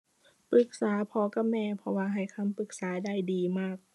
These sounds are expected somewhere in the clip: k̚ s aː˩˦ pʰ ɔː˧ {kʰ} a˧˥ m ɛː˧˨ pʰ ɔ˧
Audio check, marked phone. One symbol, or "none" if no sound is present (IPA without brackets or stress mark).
k